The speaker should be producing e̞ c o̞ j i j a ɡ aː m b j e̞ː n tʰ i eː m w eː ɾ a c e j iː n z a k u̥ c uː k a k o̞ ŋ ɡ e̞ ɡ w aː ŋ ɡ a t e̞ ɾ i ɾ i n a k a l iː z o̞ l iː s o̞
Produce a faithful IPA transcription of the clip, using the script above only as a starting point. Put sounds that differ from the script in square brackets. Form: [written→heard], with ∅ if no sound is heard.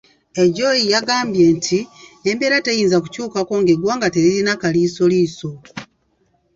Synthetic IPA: e̞ [c→ɟ] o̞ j i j a ɡ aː m b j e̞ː n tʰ i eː m [w→b] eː ɾ a [c→t] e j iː n z a k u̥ c uː k a k o̞ ŋ ɡ e̞ ɡ w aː ŋ ɡ a t e̞ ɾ i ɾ i n a k a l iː [z→s] o̞ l iː s o̞